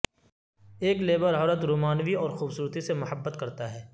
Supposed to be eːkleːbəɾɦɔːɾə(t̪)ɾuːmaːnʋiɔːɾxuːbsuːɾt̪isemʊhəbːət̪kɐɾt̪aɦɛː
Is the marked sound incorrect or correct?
correct